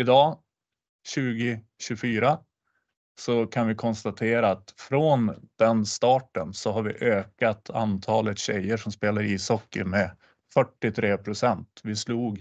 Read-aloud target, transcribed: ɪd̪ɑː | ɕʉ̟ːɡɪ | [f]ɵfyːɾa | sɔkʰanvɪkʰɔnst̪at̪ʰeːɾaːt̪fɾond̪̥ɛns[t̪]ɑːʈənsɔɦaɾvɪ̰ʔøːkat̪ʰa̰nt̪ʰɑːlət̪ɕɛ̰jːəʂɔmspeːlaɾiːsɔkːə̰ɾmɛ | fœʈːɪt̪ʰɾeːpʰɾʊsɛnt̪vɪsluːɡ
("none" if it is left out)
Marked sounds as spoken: ɕ, t̪

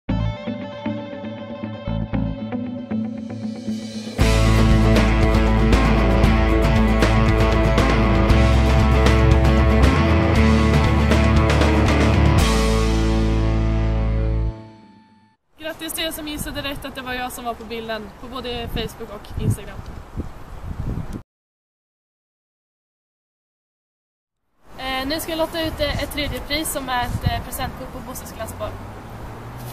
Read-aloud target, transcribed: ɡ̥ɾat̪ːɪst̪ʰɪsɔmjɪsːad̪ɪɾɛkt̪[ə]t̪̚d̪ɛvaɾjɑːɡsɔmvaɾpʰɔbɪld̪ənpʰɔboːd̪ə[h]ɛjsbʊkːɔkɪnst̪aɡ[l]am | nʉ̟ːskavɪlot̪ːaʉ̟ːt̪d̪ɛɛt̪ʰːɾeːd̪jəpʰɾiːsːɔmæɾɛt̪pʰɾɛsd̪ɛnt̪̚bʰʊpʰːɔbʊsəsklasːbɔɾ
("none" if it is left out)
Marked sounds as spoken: a, f, ɾ

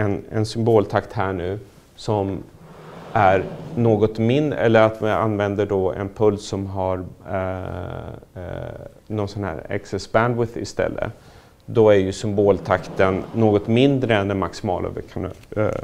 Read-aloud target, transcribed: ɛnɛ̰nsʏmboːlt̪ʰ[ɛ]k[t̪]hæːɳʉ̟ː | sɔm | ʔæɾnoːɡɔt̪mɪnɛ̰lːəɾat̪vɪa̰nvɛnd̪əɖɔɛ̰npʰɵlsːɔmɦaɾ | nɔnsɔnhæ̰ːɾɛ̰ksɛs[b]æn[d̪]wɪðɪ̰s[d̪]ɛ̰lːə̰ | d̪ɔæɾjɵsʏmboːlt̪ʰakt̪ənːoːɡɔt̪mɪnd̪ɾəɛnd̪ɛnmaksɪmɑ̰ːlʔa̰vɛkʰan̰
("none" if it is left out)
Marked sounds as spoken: a, t̪, b, d̪, t̪

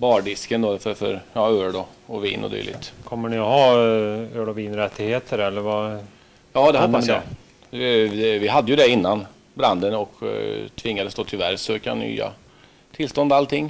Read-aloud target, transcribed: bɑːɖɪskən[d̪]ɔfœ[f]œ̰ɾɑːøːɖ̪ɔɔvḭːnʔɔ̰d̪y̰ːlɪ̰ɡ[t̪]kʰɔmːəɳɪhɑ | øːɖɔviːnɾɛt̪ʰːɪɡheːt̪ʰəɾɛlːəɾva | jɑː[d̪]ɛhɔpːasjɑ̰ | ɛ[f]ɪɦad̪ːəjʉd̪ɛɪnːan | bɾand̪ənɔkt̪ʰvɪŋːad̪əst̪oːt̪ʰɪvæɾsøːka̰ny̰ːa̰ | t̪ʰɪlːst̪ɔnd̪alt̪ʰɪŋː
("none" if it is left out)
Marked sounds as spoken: d̪, f, t̪, d̪, v

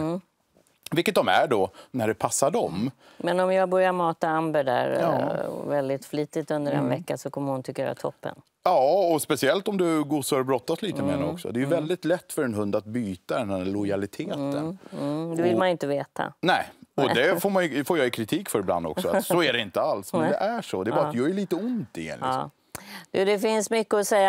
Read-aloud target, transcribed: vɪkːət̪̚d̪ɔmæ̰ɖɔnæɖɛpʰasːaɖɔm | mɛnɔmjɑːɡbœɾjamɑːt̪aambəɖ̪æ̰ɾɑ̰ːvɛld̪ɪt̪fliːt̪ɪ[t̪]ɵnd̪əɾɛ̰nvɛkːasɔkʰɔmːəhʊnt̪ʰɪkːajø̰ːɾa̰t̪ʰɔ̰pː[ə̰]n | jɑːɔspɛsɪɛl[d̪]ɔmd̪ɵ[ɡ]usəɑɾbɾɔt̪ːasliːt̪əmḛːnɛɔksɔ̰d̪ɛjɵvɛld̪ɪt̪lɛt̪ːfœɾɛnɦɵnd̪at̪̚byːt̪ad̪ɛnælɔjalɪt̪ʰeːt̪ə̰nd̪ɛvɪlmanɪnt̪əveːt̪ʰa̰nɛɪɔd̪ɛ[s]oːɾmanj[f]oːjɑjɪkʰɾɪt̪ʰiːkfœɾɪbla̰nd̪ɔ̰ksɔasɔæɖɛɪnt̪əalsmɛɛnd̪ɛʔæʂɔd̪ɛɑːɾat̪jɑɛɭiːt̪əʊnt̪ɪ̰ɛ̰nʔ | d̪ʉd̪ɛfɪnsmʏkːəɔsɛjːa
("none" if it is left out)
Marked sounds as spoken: t̪, ə̰, t̪, ɡ, f, f

